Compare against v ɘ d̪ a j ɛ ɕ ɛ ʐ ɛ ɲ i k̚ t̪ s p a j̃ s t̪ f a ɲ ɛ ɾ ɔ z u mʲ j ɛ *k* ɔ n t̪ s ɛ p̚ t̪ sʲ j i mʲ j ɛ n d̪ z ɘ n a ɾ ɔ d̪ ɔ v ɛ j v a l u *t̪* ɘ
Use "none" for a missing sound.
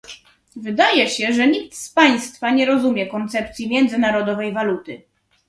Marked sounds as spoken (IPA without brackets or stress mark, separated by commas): k, t̪